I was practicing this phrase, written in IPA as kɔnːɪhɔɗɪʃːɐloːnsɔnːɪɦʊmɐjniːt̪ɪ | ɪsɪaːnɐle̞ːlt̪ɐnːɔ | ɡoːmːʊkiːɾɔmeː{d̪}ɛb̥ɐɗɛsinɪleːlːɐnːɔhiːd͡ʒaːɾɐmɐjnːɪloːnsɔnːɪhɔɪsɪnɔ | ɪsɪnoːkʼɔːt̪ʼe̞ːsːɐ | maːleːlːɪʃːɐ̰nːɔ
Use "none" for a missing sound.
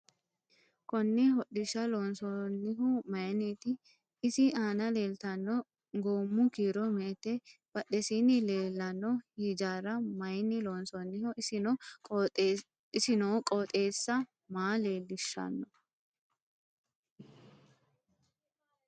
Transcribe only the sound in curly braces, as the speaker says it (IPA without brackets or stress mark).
t̪